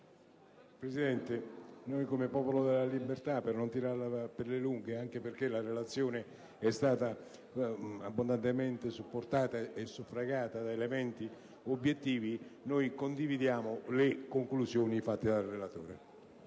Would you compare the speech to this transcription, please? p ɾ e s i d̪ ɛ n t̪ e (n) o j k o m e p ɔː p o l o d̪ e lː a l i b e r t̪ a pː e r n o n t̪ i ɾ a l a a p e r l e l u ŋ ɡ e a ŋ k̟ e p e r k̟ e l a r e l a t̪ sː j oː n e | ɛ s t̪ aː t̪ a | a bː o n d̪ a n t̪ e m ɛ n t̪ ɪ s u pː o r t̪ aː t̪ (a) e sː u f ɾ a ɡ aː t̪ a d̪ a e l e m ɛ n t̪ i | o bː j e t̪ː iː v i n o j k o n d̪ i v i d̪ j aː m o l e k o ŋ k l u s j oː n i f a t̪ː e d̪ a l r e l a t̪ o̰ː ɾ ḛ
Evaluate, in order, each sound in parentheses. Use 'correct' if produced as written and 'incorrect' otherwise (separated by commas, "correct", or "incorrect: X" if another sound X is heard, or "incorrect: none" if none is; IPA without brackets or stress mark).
correct, correct